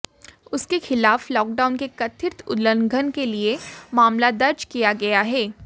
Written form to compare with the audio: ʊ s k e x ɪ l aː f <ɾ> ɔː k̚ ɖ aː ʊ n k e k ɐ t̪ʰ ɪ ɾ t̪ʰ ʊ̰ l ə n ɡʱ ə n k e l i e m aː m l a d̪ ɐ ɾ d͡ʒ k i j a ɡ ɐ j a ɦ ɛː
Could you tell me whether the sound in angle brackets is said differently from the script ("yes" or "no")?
yes